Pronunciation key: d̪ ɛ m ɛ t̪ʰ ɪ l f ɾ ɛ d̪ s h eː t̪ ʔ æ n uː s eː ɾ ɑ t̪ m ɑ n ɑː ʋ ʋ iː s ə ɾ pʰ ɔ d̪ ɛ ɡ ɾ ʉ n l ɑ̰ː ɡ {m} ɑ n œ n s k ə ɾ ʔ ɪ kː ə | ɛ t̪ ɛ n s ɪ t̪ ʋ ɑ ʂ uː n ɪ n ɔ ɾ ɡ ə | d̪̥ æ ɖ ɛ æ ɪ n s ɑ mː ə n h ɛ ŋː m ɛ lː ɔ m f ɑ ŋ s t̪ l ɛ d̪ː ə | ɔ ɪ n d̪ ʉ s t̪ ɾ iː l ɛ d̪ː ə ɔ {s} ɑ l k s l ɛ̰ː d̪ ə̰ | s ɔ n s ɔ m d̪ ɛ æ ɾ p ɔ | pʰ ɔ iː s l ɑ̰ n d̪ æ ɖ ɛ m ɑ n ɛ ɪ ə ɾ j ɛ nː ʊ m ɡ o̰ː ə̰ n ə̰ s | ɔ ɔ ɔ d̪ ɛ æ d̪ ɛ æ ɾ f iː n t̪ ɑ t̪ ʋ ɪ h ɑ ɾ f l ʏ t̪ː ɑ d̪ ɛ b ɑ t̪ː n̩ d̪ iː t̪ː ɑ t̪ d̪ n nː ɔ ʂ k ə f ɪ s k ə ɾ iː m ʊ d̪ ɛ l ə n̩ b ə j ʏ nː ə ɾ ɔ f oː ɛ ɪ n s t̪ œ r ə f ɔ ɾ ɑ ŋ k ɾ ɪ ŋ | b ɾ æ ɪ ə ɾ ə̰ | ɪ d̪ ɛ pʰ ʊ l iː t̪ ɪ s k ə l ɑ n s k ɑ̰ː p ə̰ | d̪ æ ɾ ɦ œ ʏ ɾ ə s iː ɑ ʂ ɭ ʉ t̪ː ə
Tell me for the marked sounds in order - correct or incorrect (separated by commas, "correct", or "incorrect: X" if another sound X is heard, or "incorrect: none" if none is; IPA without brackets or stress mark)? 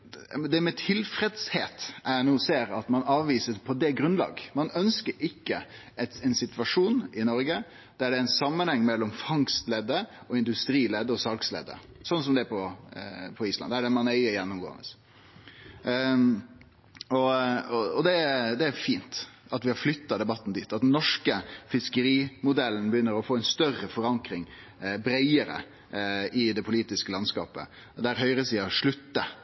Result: correct, correct